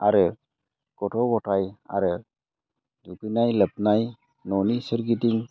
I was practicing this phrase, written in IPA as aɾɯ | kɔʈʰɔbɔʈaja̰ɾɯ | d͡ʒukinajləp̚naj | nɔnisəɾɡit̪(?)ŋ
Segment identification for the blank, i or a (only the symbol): i